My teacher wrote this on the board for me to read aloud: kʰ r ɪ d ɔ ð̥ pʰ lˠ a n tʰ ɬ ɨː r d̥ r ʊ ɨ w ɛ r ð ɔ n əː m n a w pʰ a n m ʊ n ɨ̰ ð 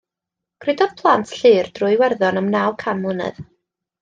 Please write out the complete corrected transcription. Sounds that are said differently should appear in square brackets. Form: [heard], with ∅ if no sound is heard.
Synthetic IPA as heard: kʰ r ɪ d ɔ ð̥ pʰ lˠ a n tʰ ɬ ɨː r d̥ r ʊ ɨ w ɛ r ð ɔ n [ə] m n a w [kʰ] a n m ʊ n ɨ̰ ð